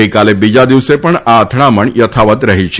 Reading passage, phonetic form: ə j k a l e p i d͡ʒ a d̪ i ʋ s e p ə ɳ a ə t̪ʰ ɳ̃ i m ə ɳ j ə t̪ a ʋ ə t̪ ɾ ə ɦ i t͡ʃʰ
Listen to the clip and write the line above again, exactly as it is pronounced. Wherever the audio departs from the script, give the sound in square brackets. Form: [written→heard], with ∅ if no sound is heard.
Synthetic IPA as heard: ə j k a l e [p→b] i d͡ʒ a d̪ i ʋ s e p ə ɳ a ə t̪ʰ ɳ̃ [i→a] m ə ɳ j ə [t̪→t̪ʰ] a ʋ ə t̪ ɾ ə ɦ i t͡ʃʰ

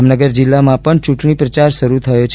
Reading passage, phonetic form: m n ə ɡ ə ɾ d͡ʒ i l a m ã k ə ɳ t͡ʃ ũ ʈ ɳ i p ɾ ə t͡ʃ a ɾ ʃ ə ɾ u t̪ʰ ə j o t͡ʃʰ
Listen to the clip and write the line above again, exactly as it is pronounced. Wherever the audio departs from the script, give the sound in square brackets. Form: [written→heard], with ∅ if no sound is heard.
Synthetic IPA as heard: m n ə ɡ ə ɾ d͡ʒ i [l→lː] a m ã [k→p] ə ɳ t͡ʃ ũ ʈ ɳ i p ɾ ə t͡ʃ a ɾ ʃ ə ɾ u t̪ʰ ə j o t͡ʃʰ

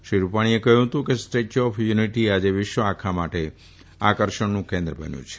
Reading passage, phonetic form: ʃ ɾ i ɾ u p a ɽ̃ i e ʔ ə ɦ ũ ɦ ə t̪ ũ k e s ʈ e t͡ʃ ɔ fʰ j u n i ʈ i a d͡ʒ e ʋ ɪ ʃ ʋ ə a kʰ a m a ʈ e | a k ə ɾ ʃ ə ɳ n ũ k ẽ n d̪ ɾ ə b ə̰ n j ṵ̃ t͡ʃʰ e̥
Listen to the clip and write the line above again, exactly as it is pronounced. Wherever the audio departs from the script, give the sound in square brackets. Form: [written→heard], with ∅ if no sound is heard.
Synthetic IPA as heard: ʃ ɾ i ɾ u p a ɽ̃ i e [ʔ→k] ə ɦ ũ ɦ ə t̪ ũ k e s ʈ e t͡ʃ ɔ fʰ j u n i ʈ i a d͡ʒ e ʋ ɪ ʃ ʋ ə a kʰ a m a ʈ e | a k ə ɾ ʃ ə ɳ n ũ k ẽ n d̪ ɾ ə b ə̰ n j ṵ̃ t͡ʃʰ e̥

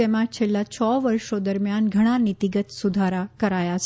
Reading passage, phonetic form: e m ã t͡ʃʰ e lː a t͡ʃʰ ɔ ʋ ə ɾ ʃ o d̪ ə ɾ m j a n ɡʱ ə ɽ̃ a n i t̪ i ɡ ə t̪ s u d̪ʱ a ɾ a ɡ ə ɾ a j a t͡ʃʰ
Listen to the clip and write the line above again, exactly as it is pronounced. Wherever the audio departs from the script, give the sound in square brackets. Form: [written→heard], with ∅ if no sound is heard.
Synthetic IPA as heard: e m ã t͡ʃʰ e lː a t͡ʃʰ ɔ ʋ ə ɾ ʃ o d̪ ə ɾ m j a n ɡʱ ə ɽ̃ a n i t̪ i ɡ ə t̪ s u d̪ʱ a ɾ a [ɡ→k] ə ɾ a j a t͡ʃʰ

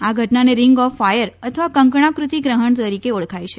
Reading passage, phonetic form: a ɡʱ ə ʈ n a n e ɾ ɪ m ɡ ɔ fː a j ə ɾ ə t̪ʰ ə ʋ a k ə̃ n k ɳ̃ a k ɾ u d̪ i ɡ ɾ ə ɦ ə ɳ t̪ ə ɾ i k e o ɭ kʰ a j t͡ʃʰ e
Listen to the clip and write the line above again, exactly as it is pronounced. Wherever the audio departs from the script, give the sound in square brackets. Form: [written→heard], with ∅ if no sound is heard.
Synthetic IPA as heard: a ɡʱ ə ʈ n a n e ɾ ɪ [m→ŋ] ɡ ɔ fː a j ə ɾ ə t̪ʰ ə ʋ a k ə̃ [n→ŋ] k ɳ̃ a k ɾ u [d̪→t̪] i ɡ ɾ ə ɦ ə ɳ t̪ ə ɾ i k e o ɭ kʰ a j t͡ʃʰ e

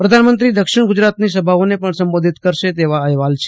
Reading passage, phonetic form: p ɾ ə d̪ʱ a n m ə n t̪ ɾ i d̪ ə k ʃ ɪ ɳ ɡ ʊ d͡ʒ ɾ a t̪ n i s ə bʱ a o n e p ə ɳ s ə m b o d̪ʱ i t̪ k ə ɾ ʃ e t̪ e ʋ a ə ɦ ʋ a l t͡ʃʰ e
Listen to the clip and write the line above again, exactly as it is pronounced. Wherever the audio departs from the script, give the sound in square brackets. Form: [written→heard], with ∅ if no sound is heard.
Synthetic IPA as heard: p ɾ ə d̪ʱ a n m ə n t̪ ɾ i d̪ ə k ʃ ɪ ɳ ɡ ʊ d͡ʒ ɾ a t̪ n i s ə bʱ a o n e p ə ɳ s ə m b o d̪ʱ i t̪ k ə ɾ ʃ e t̪ e ʋ a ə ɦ ʋ a l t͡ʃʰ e

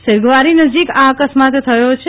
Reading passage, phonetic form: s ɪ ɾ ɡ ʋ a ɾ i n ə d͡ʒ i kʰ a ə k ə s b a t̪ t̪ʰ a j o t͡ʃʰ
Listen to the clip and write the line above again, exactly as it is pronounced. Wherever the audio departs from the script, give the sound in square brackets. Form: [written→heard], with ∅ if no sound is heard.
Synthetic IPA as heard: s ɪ ɾ ɡ ʋ a ɾ i n ə d͡ʒ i [kʰ→k] a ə k ə s [b→m] a t̪ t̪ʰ [a→ə] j o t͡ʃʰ

